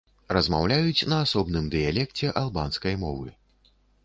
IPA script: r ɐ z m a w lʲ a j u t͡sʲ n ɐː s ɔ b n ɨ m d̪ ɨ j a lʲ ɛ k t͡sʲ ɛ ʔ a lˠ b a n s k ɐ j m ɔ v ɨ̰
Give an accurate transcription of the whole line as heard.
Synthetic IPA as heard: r ɐ z m a w lʲ a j u t͡sʲ n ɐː s ɔ b n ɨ m d̪ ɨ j a lʲ ɛ k t͡sʲ ɛ ʔ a lˠ b a n s k ɐ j m ɔ v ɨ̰